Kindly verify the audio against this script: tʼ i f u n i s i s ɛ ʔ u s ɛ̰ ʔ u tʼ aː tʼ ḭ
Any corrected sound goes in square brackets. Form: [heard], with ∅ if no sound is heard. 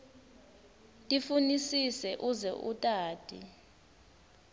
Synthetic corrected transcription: tʼ i f u n i s i s ɛ ʔ u [z] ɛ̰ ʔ u tʼ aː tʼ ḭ